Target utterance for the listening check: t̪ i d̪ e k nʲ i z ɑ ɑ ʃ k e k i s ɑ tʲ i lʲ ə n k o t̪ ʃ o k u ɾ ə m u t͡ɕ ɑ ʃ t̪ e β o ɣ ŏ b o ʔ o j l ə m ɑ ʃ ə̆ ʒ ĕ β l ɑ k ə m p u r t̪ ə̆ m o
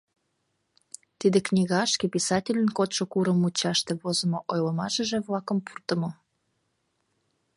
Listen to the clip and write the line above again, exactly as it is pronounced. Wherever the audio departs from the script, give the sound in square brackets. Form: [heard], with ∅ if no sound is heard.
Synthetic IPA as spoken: t̪ i d̪ e k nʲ i [ɣ] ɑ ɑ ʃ k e [p] i s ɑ tʲ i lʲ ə n k o t̪ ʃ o k u ɾ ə m u t͡ɕ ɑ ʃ t̪ e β o [z] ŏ [m] o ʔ o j l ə m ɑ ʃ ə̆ ʒ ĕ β l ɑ k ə m p u r t̪ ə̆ m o